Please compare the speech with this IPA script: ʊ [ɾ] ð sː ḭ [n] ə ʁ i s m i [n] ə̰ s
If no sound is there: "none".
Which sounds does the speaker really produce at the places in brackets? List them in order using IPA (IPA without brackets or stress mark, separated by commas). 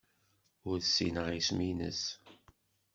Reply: ɾ, n, n